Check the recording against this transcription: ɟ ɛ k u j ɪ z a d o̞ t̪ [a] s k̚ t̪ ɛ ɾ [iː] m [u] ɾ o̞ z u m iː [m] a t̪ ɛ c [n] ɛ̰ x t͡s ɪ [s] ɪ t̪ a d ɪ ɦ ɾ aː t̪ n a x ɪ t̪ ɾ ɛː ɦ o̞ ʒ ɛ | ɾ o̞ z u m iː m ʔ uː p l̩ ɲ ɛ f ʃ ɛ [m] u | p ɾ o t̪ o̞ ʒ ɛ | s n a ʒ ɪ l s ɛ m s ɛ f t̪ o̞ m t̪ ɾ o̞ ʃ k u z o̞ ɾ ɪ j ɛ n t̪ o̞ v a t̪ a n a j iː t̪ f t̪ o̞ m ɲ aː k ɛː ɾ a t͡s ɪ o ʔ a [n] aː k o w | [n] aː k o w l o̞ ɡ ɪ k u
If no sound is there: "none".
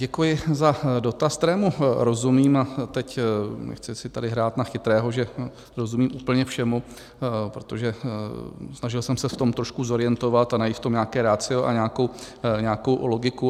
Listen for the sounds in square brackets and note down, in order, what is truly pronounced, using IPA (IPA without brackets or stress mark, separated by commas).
a, ɛː, u, m, n, s, m, ɲ, ɲ